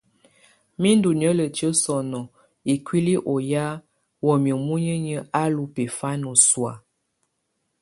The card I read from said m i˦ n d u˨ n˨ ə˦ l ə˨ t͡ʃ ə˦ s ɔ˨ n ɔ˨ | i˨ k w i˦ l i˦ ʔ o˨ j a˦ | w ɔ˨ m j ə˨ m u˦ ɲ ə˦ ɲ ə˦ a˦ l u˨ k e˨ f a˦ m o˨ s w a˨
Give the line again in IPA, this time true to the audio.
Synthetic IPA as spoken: m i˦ n d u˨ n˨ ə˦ l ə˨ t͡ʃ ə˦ s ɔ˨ n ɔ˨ | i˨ k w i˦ l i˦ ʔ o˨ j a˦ | w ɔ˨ m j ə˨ m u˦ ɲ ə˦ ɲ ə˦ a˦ l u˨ p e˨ f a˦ n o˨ s w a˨